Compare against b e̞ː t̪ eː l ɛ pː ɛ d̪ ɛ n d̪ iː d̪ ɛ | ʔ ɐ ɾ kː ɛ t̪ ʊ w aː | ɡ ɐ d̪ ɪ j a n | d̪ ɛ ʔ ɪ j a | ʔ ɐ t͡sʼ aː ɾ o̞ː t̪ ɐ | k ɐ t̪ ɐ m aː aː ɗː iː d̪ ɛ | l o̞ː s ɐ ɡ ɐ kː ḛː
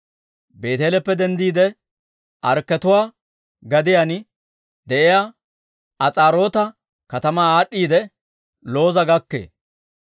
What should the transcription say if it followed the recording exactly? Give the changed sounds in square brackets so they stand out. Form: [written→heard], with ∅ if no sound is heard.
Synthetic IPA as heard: b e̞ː t̪ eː l ɛ pː ɛ d̪ ɛ n d̪ iː d̪ ɛ | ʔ ɐ ɾ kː ɛ t̪ ʊ w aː | ɡ ɐ d̪ ɪ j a n | d̪ ɛ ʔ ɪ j a | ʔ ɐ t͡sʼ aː ɾ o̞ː t̪ ɐ | k ɐ t̪ ɐ m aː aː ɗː iː d̪ ɛ | l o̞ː [s→z] ɐ ɡ ɐ kː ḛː